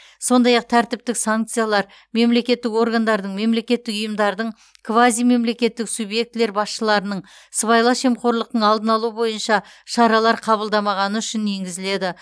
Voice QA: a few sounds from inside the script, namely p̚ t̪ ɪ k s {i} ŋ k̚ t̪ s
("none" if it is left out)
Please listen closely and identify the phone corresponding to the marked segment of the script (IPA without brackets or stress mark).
a